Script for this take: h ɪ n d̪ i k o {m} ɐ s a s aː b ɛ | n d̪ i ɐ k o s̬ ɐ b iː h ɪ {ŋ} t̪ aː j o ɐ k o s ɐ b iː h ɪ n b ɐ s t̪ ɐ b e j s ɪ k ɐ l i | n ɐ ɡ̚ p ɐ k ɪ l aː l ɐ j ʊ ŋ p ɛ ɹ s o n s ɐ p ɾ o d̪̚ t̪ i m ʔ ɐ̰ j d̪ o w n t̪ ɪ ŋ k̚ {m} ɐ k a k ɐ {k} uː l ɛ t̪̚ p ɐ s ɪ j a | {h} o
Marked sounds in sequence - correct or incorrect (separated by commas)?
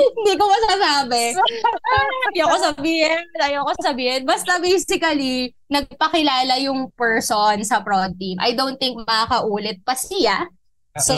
correct, incorrect, correct, incorrect, incorrect